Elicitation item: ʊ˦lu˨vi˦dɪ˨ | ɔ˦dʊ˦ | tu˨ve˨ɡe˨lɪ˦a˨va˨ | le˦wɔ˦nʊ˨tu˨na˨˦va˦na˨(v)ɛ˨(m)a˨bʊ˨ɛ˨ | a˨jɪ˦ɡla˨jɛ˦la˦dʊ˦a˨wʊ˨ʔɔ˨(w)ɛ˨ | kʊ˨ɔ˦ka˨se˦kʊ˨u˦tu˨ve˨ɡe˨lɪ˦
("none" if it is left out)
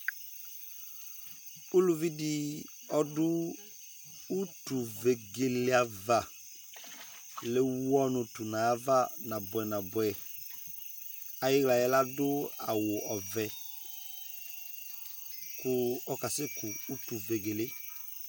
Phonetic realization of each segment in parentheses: b, n, v

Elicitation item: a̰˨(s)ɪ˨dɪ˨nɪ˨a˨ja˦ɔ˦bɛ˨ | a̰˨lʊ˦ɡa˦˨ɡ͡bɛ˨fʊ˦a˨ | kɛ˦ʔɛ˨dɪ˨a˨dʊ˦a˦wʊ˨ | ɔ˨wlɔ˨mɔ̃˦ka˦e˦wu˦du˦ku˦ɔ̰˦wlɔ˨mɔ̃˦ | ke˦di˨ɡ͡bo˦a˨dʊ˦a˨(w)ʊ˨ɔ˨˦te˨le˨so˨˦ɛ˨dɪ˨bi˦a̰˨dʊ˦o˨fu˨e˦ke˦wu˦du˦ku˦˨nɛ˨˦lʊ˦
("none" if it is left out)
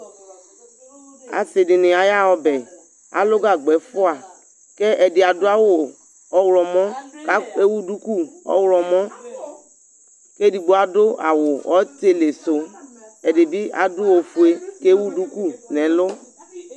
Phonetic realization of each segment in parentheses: s, w

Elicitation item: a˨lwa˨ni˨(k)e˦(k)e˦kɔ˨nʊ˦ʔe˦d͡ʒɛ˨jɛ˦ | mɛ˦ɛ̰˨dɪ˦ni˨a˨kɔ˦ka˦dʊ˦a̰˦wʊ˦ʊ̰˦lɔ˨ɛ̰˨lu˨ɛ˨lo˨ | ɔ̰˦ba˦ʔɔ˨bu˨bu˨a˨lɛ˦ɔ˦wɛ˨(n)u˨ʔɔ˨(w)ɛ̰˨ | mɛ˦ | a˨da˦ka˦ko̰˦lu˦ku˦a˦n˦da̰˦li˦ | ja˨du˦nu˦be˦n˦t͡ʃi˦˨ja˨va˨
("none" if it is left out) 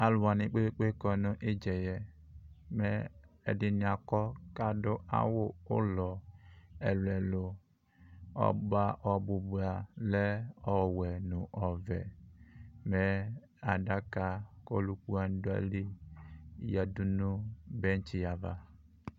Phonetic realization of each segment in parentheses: k͡p, k͡p, n, v

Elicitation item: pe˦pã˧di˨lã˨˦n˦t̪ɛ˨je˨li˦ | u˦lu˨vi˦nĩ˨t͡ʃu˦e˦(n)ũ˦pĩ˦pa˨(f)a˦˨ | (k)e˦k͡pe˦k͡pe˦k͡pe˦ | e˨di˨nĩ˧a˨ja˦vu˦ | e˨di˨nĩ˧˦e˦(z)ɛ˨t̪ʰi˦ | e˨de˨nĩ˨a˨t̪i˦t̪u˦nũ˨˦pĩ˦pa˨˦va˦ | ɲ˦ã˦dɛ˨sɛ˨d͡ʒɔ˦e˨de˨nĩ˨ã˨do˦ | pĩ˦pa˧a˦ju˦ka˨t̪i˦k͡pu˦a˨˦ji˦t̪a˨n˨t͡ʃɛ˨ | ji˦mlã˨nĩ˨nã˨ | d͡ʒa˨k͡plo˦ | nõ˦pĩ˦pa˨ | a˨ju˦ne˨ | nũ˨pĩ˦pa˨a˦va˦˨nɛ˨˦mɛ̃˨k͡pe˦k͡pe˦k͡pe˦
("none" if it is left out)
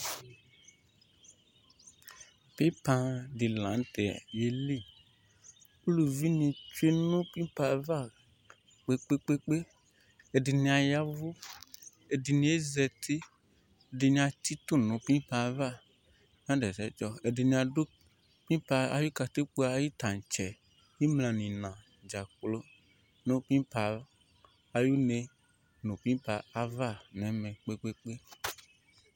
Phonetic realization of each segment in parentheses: n, v, k͡p, z

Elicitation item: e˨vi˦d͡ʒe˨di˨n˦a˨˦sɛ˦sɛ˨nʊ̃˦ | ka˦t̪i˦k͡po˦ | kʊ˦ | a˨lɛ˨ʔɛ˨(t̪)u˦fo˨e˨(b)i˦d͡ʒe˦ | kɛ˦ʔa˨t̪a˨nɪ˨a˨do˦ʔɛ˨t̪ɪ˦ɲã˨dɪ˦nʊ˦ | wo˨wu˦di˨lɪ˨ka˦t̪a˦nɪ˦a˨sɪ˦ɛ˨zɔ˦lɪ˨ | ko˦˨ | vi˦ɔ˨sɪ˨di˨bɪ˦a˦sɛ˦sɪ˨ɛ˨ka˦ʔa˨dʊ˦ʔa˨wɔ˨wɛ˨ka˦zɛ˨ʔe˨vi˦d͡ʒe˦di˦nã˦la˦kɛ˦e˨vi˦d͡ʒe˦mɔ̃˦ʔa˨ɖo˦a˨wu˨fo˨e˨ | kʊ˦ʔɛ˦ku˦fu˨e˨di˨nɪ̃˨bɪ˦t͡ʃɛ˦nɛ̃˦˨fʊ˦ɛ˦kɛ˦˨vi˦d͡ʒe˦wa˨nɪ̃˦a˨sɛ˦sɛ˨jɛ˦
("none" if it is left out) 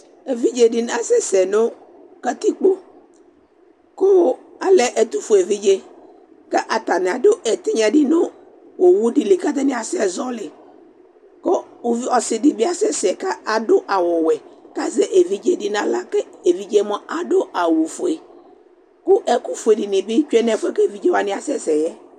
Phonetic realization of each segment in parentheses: t̪, v

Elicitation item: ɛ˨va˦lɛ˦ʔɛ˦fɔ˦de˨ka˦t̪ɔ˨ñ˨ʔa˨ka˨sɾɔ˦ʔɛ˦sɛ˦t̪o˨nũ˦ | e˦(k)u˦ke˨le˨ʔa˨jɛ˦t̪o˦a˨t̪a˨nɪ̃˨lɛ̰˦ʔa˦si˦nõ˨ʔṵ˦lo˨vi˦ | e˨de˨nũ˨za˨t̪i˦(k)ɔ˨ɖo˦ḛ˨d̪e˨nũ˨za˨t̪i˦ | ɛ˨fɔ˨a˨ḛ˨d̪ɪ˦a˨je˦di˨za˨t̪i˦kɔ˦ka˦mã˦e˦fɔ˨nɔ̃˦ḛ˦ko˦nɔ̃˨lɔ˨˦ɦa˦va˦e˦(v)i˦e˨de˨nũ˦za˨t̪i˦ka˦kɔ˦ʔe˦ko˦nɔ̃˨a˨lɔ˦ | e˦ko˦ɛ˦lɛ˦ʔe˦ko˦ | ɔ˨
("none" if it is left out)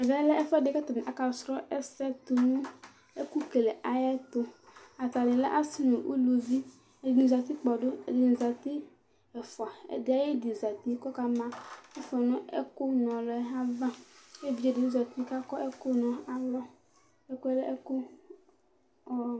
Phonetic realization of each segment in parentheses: k, k͡p, v

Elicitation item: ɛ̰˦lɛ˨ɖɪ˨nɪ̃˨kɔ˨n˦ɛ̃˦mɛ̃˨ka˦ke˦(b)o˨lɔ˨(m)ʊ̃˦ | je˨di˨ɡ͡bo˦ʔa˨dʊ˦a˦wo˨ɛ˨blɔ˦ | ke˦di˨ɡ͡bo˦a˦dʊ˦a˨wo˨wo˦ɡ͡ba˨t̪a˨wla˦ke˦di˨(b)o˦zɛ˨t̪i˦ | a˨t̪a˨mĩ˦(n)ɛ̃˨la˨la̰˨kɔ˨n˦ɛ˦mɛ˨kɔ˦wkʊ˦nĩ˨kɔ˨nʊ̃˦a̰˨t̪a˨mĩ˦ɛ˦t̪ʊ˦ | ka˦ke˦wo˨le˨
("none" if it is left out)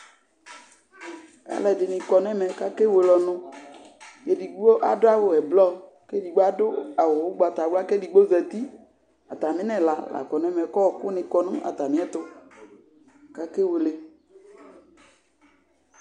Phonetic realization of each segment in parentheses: w, n, ɡ͡b, n

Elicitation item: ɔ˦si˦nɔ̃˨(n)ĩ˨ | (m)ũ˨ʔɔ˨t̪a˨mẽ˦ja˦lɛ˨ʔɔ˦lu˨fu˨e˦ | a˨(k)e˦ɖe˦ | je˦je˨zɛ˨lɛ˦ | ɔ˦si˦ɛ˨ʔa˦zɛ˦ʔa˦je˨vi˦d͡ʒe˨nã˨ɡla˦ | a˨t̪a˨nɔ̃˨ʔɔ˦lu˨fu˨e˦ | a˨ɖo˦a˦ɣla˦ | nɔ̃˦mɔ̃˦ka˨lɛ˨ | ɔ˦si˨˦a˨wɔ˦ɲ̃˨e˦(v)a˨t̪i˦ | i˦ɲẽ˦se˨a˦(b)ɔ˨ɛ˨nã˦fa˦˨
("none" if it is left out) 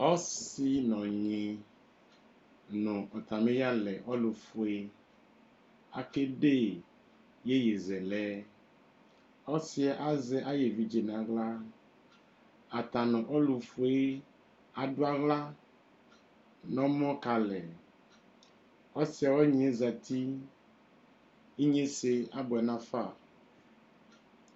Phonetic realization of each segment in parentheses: ɲ, n, k, z, b

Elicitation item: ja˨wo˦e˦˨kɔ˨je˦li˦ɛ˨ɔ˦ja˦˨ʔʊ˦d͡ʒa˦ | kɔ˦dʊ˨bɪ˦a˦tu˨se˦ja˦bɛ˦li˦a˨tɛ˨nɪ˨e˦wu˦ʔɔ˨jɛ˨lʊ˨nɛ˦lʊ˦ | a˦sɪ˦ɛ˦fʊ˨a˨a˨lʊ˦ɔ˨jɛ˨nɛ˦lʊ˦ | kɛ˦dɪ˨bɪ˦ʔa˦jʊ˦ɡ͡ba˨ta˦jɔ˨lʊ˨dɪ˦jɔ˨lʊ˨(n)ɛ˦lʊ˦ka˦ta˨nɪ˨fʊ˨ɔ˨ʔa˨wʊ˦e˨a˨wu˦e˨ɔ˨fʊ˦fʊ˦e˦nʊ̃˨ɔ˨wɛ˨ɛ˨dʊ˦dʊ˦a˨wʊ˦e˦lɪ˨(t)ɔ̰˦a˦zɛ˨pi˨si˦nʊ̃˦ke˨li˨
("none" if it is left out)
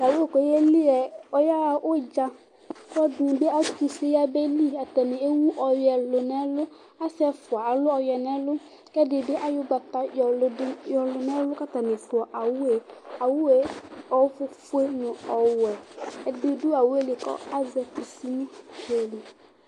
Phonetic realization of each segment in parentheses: n, k

